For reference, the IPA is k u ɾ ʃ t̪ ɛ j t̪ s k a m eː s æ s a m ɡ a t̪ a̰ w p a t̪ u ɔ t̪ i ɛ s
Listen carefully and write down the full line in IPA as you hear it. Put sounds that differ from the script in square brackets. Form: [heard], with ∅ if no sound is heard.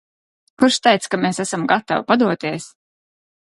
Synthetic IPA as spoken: k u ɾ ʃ t̪ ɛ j t̪ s k a m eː s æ s a m ɡ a t̪ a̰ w p a [d̪] u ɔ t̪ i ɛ s